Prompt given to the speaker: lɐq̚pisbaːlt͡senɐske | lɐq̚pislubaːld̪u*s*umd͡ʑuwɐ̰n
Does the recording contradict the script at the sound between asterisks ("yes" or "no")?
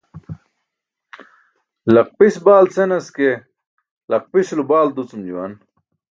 yes